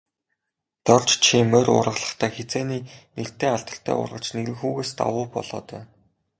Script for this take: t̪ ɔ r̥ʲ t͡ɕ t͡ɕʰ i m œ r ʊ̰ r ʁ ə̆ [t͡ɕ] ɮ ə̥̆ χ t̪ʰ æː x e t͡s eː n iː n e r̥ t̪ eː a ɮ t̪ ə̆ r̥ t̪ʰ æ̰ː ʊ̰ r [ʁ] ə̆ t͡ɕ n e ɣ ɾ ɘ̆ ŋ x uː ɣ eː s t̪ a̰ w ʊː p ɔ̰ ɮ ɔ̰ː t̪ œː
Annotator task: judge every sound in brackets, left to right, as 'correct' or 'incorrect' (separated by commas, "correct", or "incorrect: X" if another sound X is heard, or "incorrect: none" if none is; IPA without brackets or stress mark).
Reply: incorrect: none, correct